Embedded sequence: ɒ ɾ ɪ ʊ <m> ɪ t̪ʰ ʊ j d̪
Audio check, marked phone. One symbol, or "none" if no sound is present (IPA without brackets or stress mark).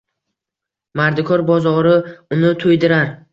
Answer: n